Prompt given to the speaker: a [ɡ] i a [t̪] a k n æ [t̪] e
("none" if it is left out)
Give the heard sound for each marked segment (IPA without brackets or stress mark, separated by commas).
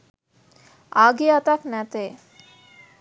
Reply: ɡ, t̪, t̪